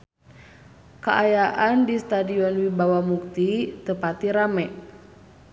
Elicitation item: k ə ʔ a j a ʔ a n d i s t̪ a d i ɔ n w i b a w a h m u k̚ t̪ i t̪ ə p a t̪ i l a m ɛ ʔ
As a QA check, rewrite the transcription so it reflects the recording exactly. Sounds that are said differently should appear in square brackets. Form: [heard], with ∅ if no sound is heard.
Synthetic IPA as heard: k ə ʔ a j a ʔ a n d i s t̪ a d i ɔ n w i b a w a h m u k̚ t̪ i t̪ ə p a t̪ i [ɾ] a m ɛ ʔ